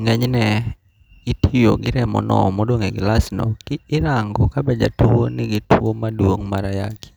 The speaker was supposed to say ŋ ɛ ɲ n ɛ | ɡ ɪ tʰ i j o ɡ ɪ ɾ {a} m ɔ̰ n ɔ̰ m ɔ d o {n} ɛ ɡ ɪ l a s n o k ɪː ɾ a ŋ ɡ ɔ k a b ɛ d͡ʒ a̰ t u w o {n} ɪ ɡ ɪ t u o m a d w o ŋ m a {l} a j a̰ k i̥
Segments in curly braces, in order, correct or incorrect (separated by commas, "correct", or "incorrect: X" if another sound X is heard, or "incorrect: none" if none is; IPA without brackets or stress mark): incorrect: ɛ, incorrect: ŋ, correct, incorrect: ɾ